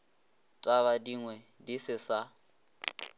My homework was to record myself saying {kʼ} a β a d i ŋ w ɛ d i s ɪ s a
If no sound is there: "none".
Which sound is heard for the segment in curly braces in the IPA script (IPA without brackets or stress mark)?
tʼ